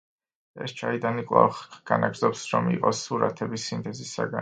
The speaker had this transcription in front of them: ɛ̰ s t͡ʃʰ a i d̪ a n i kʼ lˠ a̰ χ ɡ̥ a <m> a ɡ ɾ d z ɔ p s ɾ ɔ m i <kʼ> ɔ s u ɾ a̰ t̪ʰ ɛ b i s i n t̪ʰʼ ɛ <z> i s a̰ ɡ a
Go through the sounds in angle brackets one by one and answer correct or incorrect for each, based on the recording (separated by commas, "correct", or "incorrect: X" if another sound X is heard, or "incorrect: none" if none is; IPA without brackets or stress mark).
incorrect: n, incorrect: qʼ, correct